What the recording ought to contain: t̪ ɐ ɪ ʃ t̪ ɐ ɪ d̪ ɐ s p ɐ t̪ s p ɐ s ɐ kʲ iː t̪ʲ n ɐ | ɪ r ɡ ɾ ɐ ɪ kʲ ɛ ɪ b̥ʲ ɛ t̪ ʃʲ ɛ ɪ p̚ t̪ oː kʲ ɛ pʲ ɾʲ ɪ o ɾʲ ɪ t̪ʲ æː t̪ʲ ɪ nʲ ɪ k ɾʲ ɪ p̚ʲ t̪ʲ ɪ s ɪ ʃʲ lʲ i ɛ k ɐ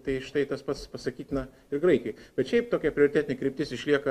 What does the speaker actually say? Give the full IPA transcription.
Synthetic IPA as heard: t̪ ɐ ɪ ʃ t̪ ɐ ɪ t̪ ɐ s p ɐ t̪ s p ɐ s ɐ kʲ iː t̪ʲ n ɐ | ɪ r ɡ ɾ ɐ ɪ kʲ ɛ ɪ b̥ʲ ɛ t̪ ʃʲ ɛ ɪ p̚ t̪ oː kʲ ɛ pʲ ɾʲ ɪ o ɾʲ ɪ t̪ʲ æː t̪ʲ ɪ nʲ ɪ k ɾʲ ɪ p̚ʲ t̪ʲ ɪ s ɪ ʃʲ lʲ i ɛ k ɐ